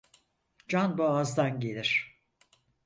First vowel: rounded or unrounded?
unrounded